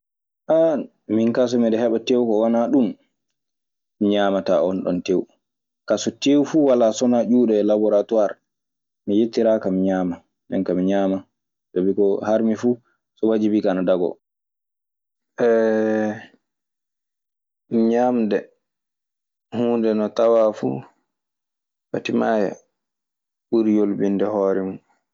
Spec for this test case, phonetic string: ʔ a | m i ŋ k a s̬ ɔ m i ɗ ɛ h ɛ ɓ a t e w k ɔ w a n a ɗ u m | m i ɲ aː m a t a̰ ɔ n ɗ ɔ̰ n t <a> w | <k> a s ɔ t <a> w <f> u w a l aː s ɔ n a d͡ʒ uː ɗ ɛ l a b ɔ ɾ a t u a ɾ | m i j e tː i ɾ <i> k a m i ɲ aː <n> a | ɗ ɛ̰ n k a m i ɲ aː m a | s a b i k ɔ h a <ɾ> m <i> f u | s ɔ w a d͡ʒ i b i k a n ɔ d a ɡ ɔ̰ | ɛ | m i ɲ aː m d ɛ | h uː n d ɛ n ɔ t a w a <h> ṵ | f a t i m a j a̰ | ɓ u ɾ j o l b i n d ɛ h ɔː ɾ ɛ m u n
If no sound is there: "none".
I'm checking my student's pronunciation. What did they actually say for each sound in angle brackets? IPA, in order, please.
e, k, e, f, a, m, ɾ, i, f

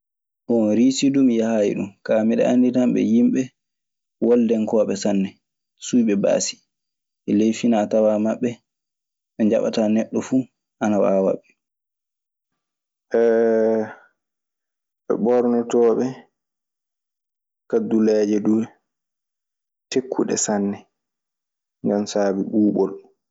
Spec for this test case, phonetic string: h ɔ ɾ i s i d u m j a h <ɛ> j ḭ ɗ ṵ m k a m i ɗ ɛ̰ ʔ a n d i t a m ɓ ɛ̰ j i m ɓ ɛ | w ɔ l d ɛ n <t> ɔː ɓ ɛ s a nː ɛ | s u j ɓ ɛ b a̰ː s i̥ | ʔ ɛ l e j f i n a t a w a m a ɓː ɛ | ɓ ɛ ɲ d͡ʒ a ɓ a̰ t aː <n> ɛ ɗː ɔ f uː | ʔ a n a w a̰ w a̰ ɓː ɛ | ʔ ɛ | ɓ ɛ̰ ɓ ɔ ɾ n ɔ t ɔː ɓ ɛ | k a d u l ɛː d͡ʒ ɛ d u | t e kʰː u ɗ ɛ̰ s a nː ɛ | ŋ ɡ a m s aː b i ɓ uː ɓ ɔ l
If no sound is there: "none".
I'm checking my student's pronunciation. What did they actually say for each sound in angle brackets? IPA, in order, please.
a, k, n

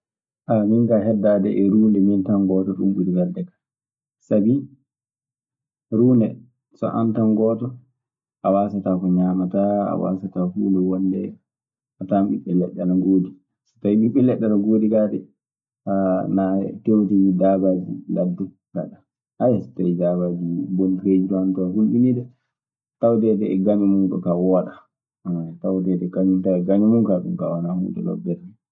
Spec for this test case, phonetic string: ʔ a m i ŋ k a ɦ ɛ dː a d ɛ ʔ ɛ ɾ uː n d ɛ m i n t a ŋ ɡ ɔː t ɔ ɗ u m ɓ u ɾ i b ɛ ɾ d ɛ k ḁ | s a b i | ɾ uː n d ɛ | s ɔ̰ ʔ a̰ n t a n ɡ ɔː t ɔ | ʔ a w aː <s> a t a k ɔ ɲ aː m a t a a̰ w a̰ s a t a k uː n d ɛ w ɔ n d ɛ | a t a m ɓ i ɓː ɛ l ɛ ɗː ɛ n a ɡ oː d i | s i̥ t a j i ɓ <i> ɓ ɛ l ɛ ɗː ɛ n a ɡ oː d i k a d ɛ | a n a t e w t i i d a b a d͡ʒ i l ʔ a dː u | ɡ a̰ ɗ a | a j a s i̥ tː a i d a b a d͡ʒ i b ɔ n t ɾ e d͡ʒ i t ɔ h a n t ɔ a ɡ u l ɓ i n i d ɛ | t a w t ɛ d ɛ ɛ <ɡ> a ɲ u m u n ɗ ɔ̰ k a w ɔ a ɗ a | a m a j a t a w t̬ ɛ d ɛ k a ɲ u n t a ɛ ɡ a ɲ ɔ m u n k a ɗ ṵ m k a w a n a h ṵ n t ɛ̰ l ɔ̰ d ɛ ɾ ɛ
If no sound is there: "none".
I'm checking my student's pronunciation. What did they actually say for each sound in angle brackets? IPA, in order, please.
s, i, ɡ

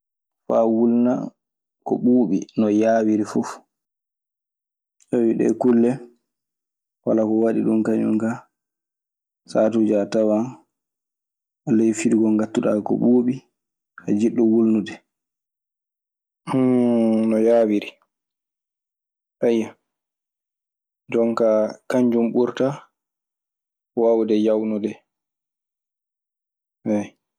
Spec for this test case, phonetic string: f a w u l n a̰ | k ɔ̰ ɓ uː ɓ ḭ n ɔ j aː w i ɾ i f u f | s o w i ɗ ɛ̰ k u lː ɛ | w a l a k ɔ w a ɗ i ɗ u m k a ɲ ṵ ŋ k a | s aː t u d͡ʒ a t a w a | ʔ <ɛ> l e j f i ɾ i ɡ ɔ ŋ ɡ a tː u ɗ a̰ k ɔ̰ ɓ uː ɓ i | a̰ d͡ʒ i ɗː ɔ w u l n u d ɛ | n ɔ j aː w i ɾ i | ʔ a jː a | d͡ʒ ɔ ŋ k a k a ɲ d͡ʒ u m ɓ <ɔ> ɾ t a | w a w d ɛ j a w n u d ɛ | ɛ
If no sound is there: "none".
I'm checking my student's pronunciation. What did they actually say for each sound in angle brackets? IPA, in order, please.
a, u

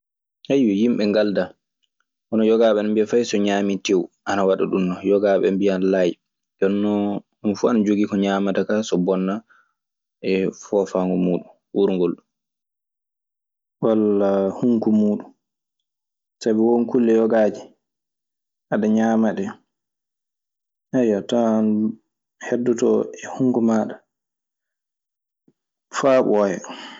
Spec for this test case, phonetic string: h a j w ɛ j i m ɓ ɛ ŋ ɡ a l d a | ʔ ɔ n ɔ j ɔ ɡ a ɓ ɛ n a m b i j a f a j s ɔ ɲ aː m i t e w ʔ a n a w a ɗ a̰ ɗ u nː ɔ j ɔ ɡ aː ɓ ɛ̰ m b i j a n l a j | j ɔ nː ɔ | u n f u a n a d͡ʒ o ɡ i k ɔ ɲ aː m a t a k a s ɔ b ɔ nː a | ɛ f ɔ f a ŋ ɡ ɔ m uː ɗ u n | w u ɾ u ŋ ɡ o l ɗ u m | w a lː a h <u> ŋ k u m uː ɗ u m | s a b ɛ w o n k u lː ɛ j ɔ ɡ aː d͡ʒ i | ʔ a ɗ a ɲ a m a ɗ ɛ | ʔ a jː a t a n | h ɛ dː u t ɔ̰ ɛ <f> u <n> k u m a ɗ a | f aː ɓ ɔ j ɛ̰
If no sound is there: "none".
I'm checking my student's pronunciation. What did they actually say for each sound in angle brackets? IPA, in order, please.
u, h, ŋ

